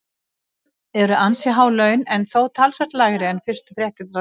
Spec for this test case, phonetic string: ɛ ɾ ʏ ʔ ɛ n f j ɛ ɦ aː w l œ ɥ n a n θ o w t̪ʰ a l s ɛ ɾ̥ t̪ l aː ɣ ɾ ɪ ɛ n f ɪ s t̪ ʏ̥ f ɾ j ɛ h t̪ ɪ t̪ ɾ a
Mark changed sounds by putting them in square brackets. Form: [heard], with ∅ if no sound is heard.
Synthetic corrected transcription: ɛ ɾ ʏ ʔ [a] n [s] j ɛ ɦ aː w l œ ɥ n [ɛ] n θ o w t̪ʰ a l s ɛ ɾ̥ t̪ l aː ɣ ɾ ɪ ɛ n f ɪ s t̪ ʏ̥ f ɾ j ɛ h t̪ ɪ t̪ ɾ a

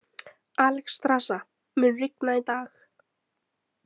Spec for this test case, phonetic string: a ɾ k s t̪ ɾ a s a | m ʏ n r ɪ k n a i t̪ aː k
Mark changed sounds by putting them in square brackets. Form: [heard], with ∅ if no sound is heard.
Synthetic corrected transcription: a [l] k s t̪ ɾ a s a | m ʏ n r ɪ k n a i t̪ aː [x]

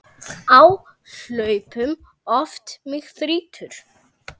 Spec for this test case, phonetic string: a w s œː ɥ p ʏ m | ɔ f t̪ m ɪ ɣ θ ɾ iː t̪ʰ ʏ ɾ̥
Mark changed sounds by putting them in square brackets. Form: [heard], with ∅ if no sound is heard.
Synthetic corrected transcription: a w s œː ɥ p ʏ m | ɔ f t̪ m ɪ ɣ θ ɾ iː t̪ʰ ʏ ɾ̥

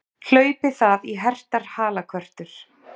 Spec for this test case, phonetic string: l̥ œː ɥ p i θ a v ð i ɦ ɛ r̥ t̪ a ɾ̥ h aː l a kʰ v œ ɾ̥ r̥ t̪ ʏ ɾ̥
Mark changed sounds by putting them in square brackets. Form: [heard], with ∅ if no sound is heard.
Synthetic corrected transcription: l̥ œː ɥ p [ɪ] θ a [∅] ð i ɦ ɛ r̥ t̪ a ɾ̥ h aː l a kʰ v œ [∅] r̥ t̪ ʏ ɾ̥

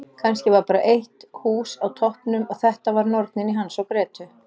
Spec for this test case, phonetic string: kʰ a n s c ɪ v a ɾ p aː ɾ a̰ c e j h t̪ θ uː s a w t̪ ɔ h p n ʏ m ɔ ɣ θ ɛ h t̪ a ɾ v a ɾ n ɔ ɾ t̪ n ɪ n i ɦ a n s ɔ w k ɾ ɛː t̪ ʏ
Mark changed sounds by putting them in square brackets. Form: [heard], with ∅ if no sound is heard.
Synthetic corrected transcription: kʰ a n s c ɪ v a ɾ p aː ɾ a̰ [ʔ] e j h t̪ [h] uː s a w [t̪ʰ] ɔ h p n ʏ m ɔ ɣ θ ɛ h t̪ a [∅] v a ɾ n ɔ ɾ t̪ n ɪ n i ɦ a n s ɔ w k ɾ ɛː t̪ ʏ

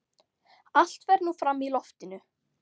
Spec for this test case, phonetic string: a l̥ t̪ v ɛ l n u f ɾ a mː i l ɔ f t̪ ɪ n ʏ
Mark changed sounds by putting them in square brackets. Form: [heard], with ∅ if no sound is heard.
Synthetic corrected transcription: a l̥ t̪ v ɛ [ɾ] n u f ɾ a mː i l ɔ f t̪ ɪ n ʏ

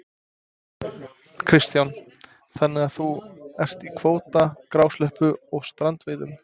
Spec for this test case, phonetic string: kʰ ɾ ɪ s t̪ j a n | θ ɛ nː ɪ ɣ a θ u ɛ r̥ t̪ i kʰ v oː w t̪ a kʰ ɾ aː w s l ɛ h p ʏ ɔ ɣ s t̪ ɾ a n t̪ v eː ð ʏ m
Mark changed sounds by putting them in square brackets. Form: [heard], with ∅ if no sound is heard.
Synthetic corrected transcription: kʰ ɾ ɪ s t̪ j a n | θ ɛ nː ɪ ɣ a θ u ɛ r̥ t̪ i kʰ v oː w t̪ a [k] ɾ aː w s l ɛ h p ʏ ɔ ɣ s t̪ ɾ a n t̪ v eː ð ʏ m

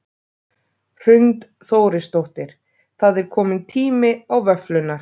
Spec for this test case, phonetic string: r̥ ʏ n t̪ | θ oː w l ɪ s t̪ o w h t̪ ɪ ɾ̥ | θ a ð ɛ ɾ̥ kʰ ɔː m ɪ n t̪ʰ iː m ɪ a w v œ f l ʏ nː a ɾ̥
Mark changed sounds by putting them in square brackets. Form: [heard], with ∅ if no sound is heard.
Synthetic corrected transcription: r̥ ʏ n t̪ | θ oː w [ɾ] ɪ s t̪ o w h t̪ ɪ ɾ̥ | θ a ð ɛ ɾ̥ kʰ ɔː m ɪ n t̪ʰ iː m ɪ a w v œ f l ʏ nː a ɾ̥

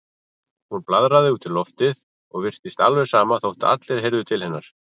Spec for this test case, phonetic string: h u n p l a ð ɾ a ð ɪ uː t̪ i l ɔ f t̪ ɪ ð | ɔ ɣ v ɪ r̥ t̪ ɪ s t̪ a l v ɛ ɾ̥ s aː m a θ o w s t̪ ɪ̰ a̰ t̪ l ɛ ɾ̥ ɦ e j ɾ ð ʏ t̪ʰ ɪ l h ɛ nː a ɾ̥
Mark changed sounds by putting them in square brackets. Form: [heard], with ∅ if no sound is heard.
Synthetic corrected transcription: h u n p l a ð ɾ a ð ɪ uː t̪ [ɪ] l ɔ f t̪ ɪ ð | ɔ ɣ v ɪ r̥ t̪ ɪ s t̪ a l v ɛ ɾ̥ s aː m a θ o w [h] t̪ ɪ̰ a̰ t̪ l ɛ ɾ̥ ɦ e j ɾ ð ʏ t̪ʰ ɪ l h ɛ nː a ɾ̥

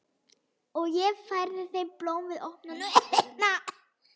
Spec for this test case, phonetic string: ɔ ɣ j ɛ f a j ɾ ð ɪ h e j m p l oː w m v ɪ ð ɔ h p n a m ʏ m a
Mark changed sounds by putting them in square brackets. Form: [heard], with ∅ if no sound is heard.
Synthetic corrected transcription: ɔ ɣ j ɛ f a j ɾ ð ɪ [θ] e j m p l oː w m v ɪ ð ɔ h p n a [n] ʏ [n] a

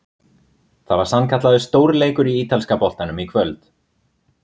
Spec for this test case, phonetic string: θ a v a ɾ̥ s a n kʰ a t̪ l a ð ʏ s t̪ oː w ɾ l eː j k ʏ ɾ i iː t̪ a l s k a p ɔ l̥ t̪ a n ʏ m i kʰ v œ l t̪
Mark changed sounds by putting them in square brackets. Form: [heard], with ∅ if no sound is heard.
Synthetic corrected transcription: θ a v a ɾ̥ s a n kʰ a t̪ l a ð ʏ s t̪ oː w ɾ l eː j k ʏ ɾ i iː t̪ a l s k a p ɔ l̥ t̪ a n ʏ m i kʰ v œ l t̪

